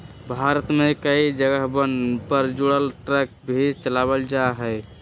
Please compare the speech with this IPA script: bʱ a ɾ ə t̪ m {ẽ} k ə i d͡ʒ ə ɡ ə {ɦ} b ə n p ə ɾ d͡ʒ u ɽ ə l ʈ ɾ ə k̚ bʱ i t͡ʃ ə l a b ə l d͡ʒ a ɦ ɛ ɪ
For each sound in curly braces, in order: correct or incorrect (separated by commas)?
incorrect, correct